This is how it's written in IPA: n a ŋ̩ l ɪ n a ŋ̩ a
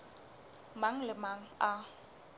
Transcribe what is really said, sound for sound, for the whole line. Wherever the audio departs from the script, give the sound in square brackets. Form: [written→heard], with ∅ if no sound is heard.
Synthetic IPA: [n→m] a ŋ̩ l ɪ [n→m] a ŋ̩ a